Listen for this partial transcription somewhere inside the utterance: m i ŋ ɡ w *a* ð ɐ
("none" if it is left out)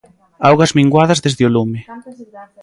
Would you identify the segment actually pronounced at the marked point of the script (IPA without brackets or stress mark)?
a